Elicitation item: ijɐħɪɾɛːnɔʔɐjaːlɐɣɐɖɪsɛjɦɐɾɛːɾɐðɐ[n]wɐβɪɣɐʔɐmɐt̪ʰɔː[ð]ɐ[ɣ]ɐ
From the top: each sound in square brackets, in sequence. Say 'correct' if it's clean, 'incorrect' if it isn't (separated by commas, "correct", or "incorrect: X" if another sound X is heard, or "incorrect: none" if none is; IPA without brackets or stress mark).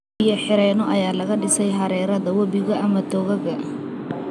incorrect: none, incorrect: ɣ, correct